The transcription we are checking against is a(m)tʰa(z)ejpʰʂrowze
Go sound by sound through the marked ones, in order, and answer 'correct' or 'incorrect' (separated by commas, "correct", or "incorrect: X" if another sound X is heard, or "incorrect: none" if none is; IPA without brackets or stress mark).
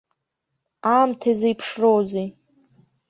correct, correct